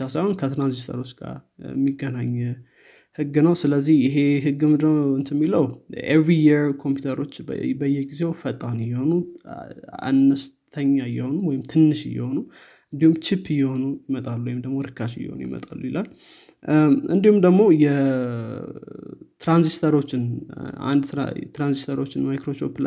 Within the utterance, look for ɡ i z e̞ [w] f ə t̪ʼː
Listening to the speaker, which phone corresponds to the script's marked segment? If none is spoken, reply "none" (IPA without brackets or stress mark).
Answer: w